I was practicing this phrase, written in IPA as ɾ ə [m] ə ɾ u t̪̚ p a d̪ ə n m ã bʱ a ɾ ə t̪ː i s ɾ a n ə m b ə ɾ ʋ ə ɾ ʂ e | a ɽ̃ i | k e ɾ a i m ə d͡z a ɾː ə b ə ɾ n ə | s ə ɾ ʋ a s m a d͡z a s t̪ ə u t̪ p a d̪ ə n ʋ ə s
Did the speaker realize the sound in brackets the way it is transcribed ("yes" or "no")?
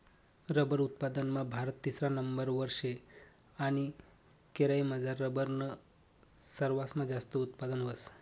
no